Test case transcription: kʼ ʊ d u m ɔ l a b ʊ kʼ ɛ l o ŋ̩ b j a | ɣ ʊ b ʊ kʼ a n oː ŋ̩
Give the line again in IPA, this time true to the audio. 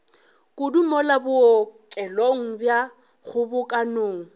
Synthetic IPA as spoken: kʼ ʊ d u m ɔ l a b ʊ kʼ ɛ l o ŋ̩ b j a | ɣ ʊ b ʊ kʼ a n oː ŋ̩